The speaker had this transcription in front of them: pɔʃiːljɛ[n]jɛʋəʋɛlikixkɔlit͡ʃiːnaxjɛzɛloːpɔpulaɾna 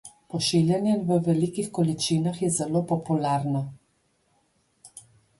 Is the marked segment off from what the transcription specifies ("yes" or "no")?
no